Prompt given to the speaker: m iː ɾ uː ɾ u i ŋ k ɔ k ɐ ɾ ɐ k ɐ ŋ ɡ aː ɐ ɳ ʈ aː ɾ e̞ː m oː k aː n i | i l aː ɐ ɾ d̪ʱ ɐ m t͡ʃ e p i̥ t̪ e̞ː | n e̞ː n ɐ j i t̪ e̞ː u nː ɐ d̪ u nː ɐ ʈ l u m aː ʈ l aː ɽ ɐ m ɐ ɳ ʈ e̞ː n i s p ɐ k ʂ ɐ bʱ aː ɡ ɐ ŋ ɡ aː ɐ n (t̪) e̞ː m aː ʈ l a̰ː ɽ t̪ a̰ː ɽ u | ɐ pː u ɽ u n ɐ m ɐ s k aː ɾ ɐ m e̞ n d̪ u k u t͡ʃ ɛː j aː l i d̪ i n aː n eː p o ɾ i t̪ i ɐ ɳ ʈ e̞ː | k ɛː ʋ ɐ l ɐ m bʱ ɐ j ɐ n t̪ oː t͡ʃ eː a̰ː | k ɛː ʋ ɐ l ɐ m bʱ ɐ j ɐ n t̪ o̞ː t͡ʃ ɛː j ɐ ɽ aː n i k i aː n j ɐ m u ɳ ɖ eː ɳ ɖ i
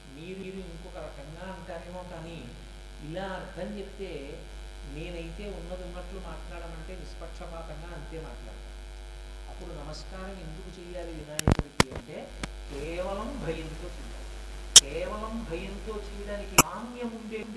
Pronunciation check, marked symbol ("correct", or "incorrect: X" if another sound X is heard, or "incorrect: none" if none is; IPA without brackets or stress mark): correct